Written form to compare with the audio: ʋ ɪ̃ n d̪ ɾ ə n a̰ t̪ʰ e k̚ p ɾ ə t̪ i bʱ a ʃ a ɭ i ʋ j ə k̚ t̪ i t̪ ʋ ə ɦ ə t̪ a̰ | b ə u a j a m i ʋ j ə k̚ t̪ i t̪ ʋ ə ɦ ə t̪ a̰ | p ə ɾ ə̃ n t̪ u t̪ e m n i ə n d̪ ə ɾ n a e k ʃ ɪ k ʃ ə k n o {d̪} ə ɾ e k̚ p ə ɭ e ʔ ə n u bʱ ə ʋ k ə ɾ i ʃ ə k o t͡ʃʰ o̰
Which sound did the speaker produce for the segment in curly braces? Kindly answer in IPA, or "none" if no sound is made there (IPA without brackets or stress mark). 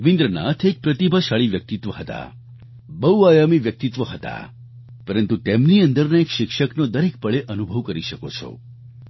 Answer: d̪